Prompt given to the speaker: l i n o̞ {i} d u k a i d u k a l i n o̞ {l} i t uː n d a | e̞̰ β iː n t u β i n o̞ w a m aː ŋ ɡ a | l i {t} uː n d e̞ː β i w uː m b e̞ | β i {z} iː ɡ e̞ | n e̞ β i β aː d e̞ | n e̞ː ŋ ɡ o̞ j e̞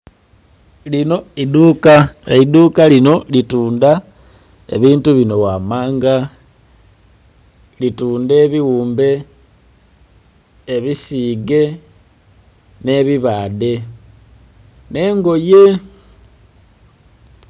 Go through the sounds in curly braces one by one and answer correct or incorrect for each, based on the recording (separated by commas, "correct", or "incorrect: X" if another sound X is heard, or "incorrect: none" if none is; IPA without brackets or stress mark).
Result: correct, correct, correct, incorrect: s